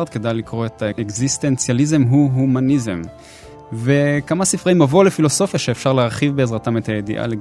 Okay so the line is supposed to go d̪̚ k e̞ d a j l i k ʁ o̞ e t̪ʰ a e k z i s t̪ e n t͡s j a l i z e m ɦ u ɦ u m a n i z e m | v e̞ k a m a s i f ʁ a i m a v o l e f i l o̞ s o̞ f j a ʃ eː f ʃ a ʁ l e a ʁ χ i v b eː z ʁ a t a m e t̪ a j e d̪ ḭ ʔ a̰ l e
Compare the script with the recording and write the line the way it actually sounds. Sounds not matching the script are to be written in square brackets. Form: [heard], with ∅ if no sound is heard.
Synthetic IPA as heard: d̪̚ k e̞ d a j l i k ʁ o̞ e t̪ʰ a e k z i s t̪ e n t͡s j a l i z e m ɦ u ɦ u m a n i z e m | v e̞ k a m a s i f ʁ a i m a v o l e f i l o̞ s o̞ f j a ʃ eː f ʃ a ʁ l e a ʁ χ i v b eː z ʁ a t a m e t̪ a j e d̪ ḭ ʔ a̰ l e